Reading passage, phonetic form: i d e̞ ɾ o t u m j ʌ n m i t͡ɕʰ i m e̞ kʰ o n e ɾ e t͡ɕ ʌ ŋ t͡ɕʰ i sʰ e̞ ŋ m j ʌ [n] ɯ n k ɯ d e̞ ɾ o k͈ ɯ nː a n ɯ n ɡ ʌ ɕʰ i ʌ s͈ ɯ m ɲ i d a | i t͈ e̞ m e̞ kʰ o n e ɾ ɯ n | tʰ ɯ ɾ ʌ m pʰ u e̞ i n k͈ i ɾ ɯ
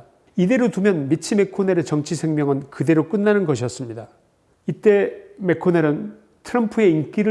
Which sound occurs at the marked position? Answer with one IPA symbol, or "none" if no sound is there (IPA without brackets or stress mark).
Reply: ŋ